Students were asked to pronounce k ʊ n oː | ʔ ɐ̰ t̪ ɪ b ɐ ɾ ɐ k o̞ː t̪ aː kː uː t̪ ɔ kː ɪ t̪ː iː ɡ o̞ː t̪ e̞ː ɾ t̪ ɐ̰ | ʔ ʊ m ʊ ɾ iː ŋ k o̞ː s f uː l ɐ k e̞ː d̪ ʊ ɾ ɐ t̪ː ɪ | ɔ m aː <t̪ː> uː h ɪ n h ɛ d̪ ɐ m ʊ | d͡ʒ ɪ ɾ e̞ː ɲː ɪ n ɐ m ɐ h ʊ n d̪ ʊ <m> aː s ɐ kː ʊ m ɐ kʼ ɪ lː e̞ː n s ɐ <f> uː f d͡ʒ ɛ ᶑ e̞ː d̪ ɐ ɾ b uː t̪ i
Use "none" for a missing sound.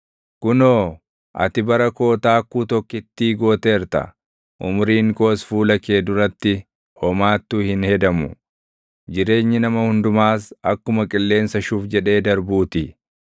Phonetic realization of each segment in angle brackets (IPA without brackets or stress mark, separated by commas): t̪ː, m, ʃ